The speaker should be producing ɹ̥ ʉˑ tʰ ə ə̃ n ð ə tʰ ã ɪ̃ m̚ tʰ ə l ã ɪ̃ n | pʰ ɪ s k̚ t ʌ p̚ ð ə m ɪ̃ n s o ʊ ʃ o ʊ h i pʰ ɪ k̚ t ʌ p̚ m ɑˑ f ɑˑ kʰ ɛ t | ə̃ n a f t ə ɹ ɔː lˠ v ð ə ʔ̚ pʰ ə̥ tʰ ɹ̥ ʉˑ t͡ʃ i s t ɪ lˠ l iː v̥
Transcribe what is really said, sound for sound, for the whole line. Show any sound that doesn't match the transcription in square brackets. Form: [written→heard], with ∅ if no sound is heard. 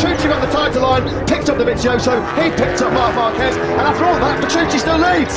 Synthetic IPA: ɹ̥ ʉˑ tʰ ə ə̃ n ð ə tʰ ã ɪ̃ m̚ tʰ ə l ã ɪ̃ n | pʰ ɪ [s→∅] k̚ t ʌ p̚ ð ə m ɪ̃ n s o ʊ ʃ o ʊ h i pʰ ɪ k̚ t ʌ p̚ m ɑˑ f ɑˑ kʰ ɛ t | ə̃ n a f t ə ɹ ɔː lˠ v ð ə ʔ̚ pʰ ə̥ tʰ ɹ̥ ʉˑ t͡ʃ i s t ɪ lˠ l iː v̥